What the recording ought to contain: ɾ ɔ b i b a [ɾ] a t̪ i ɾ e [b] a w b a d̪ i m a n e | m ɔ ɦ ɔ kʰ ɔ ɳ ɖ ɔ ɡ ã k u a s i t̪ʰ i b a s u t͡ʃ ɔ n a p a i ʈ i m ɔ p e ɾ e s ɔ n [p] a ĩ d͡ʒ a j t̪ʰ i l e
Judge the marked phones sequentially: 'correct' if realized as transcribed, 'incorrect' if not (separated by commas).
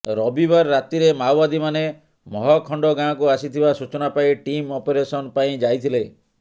incorrect, incorrect, correct